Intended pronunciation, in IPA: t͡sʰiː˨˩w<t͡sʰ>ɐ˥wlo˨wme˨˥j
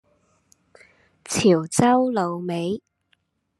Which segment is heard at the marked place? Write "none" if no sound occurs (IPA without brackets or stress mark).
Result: t͡s